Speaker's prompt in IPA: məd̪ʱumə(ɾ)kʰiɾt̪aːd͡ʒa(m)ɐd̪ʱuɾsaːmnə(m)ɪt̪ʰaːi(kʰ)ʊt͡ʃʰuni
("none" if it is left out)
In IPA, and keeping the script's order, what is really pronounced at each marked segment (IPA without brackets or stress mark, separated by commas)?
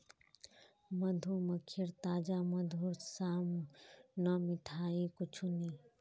none, m, m, k